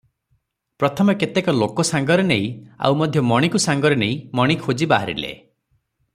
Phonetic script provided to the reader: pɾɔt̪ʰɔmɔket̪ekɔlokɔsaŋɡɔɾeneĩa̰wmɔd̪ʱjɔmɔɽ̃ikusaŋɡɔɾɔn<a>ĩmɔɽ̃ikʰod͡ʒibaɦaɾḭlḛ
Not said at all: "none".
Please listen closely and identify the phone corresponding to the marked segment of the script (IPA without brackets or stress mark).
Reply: e